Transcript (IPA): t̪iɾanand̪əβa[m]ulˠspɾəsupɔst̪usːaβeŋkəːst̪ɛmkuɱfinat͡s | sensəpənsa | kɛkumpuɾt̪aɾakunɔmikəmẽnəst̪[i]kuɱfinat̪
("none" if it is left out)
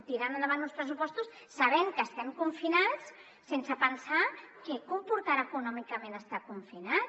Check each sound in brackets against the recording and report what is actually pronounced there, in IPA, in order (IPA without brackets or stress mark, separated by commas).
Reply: n, a